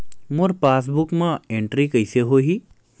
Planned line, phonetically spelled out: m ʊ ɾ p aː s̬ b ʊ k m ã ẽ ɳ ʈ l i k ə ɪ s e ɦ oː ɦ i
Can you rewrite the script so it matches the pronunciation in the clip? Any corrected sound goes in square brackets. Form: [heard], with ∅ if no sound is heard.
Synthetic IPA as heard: m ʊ ɾ p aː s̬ b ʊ k m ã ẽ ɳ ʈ [ɾ] i k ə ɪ s e ɦ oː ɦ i

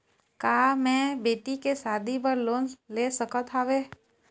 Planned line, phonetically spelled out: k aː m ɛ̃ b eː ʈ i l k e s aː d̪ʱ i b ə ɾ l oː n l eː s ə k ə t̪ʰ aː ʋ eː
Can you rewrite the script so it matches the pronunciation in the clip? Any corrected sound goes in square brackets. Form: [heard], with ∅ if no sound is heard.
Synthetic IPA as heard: k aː m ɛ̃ b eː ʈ i [∅] k e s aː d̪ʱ i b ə ɾ l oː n l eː s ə k ə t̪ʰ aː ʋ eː

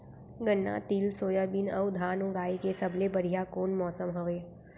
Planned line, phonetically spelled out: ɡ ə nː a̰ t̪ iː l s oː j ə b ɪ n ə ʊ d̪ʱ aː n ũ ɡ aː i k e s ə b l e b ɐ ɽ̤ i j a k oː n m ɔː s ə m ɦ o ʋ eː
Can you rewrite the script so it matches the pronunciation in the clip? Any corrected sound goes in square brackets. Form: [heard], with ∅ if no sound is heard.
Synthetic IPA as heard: ɡ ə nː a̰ t̪ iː l s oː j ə b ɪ n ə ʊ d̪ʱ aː n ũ ɡ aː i k e s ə b l e b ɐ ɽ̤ i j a k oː n m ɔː s ə m ɦ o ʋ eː

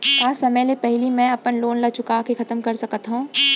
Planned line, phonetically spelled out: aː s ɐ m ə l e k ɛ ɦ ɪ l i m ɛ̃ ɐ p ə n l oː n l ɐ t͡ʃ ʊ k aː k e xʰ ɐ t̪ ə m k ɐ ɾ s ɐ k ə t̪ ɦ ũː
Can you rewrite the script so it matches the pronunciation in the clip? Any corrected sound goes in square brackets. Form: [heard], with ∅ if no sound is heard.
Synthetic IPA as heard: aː s ɐ m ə l e [p] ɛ ɦ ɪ l i m ɛ̃ ɐ p ə n l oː n l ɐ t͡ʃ ʊ k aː k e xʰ ɐ t̪ ə m k ɐ ɾ s ɐ k ə t̪ ɦ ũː

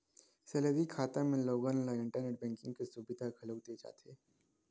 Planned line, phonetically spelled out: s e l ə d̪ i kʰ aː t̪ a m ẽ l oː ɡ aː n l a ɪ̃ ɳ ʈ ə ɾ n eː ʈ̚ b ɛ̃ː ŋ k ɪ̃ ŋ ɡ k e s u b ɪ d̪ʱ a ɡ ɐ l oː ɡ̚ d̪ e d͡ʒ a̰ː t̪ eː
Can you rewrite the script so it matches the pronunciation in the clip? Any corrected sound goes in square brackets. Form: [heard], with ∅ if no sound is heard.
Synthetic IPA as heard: s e l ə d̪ i kʰ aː t̪ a m ẽ l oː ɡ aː n l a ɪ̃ ɳ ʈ ə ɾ n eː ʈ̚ b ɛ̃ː ŋ k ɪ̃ ŋ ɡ k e s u b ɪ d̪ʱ a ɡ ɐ l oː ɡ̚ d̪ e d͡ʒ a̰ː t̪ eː

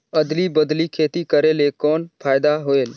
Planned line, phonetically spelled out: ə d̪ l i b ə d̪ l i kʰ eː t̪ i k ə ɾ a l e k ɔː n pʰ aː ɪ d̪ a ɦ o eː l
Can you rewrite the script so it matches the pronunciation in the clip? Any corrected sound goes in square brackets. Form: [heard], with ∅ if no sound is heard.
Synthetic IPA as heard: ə d̪ l i b ə d̪ l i kʰ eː t̪ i k ə ɾ [e] l e k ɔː n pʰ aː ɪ d̪ a ɦ o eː l

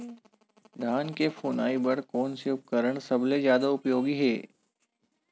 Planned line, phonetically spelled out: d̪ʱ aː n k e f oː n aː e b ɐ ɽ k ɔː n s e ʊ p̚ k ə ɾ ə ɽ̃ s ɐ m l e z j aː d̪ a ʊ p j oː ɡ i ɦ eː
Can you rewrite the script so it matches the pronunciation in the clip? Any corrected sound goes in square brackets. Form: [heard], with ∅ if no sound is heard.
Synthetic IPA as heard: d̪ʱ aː n k e f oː n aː [i] b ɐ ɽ k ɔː n s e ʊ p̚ k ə ɾ ə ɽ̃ s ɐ [b] l e z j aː d̪ a ʊ p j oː ɡ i ɦ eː

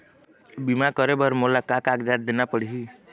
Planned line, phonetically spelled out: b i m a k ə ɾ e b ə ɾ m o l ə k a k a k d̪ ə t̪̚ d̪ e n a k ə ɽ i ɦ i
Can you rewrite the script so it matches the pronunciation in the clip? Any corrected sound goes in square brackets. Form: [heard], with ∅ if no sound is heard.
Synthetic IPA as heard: b i m a k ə ɾ e b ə ɾ m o l [a] k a k a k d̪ [a] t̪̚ d̪ e n a [p] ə ɽ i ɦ i

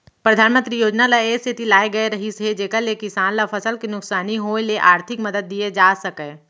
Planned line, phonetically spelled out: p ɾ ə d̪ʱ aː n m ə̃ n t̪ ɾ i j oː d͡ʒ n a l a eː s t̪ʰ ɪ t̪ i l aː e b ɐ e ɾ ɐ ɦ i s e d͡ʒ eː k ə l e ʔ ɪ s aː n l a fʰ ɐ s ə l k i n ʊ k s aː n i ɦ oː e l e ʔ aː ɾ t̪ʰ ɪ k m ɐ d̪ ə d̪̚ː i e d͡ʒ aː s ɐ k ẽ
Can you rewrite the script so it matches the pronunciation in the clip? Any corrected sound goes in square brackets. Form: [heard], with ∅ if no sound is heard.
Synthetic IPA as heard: p ɾ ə d̪ʱ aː n m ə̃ n t̪ ɾ i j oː d͡ʒ n a l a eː s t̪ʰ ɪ t̪ i l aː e [ɡ] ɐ e ɾ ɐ ɦ i s e d͡ʒ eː k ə l e [k] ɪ s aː n l a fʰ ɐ s ə l k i n ʊ k s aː n i ɦ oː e l e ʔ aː ɾ t̪ʰ ɪ k m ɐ d̪ ə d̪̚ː i e d͡ʒ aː s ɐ k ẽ

